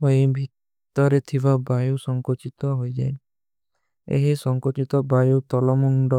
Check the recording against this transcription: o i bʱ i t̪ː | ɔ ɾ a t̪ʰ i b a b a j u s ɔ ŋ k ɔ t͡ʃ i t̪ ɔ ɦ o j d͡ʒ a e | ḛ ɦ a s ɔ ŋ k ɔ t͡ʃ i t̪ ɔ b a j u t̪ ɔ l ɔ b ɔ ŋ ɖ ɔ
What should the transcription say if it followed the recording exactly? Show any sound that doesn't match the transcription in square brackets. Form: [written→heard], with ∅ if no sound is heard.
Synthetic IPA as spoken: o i bʱ i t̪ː | ɔ ɾ [a→e] t̪ʰ i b a b a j u s ɔ ŋ k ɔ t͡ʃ i t̪ ɔ ɦ o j d͡ʒ a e | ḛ ɦ [a→i] s ɔ ŋ k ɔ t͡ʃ i t̪ ɔ b a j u t̪ ɔ l ɔ [b→m] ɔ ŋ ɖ ɔ